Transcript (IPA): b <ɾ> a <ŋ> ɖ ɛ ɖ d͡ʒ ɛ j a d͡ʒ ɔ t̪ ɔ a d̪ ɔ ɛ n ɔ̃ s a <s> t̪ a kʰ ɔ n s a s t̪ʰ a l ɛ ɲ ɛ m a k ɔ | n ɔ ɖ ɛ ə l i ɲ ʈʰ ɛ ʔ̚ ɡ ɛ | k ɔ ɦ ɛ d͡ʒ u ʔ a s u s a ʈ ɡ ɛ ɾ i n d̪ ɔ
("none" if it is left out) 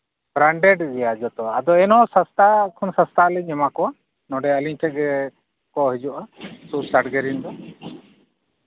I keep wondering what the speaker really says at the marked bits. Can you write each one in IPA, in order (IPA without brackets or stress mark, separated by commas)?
ɾ, ɳ, s